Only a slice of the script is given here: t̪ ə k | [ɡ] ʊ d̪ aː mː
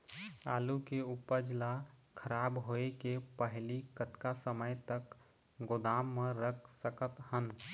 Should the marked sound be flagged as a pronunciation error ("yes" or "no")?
no